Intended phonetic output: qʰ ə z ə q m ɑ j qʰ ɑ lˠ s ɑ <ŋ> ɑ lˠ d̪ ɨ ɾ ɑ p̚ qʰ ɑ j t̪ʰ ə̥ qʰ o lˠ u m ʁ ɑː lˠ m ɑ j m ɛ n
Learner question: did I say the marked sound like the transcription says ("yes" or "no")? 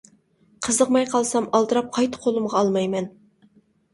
no